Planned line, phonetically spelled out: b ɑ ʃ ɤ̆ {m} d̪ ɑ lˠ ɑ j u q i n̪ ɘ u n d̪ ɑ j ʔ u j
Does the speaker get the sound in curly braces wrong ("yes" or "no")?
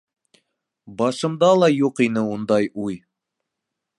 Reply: no